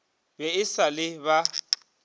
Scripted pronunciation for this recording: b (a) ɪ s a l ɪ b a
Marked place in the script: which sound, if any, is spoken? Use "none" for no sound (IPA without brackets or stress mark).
ɛ